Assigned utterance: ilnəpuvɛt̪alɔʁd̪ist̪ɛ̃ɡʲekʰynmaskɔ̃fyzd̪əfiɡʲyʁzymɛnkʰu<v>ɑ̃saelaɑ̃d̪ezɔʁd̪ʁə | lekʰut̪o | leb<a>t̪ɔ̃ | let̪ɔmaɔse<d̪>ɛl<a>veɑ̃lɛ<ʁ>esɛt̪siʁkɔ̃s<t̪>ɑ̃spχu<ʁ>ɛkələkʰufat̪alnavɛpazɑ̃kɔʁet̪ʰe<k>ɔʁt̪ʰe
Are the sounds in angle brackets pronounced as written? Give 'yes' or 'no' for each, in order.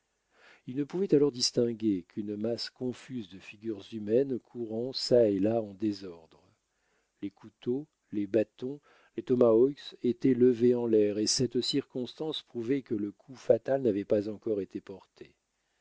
no, yes, no, no, yes, yes, no, no

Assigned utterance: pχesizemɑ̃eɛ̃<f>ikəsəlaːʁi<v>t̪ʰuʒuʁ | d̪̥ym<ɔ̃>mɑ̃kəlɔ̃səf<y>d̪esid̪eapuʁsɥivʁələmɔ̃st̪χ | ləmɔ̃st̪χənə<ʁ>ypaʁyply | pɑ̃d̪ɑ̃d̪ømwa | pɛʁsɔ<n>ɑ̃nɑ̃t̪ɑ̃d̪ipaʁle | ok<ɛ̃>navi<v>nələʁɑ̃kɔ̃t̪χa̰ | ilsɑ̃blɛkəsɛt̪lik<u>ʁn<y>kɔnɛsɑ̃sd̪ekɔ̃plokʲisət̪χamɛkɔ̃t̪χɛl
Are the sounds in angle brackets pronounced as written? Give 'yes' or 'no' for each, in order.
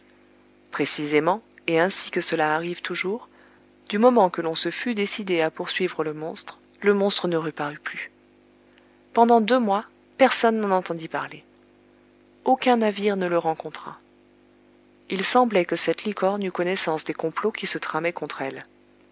no, yes, no, yes, yes, no, yes, no, no, yes

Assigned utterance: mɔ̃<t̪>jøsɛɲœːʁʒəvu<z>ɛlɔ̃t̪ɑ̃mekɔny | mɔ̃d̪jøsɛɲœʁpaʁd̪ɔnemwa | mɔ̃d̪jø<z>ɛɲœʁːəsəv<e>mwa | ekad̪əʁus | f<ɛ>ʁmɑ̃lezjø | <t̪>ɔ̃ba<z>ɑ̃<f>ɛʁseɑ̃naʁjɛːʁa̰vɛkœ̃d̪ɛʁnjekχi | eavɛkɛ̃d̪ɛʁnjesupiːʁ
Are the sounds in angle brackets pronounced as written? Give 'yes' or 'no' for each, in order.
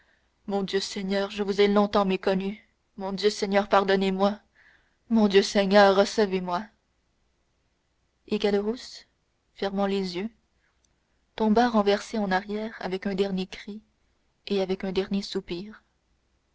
no, yes, no, yes, yes, yes, no, no

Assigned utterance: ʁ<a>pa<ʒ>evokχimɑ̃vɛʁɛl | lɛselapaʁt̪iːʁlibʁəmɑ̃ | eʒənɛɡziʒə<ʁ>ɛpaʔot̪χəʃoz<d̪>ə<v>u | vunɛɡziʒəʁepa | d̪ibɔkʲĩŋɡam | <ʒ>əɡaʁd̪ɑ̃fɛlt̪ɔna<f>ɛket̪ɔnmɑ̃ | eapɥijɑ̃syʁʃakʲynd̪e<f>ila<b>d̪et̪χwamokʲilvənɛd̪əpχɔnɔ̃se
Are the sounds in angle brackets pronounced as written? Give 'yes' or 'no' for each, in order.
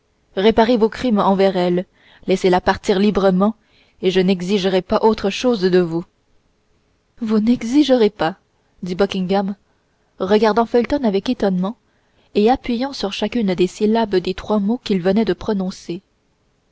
no, no, yes, yes, yes, no, no, no, yes

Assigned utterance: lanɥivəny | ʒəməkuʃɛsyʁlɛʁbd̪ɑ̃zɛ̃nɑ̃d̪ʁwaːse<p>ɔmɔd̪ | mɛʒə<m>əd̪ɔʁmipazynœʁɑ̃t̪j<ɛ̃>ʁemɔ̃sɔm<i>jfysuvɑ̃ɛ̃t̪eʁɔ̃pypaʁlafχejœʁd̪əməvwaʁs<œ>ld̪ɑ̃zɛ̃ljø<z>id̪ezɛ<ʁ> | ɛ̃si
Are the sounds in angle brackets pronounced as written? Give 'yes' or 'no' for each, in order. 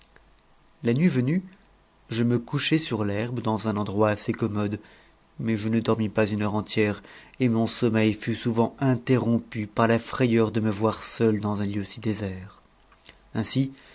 no, no, no, no, yes, no, yes

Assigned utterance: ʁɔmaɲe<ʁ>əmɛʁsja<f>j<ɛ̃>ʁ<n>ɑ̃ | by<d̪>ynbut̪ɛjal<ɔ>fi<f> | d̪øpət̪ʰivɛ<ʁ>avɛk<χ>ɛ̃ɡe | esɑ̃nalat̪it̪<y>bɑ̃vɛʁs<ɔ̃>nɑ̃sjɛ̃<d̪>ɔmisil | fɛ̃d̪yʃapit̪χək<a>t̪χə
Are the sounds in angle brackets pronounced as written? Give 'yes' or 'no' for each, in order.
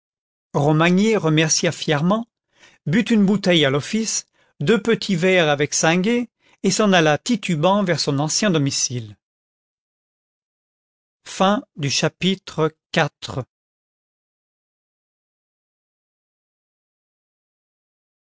yes, yes, no, no, no, yes, no, yes, no, yes, yes, yes, yes

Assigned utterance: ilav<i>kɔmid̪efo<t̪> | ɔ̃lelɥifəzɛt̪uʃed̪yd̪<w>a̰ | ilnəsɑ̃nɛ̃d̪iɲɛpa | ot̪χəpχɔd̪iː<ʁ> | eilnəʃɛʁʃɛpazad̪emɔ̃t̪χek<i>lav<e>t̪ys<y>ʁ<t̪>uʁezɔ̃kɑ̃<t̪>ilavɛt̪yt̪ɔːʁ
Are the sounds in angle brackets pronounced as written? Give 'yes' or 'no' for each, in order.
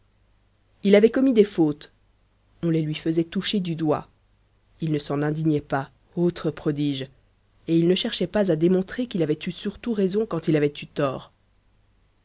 no, yes, yes, no, yes, no, yes, yes, yes

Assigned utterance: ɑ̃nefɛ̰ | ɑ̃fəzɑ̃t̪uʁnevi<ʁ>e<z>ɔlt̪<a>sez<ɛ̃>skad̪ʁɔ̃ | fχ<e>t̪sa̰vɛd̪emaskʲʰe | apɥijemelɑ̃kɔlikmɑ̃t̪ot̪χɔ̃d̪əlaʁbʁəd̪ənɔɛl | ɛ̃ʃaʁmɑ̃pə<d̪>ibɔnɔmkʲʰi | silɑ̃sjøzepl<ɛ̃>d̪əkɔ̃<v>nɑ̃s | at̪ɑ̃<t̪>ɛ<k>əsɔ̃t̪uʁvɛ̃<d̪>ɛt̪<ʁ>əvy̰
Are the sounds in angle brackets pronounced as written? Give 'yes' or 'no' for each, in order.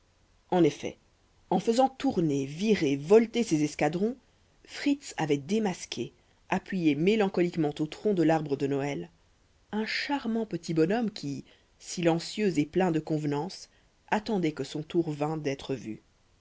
yes, no, no, no, no, no, yes, yes, no, yes, yes, no

